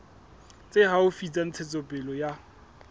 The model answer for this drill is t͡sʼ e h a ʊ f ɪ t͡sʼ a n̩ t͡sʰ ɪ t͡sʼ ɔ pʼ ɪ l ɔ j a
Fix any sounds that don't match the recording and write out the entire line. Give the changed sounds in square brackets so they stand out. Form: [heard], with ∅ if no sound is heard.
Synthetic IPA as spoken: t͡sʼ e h a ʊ f [i] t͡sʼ a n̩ t͡sʰ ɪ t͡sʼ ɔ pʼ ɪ l ɔ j a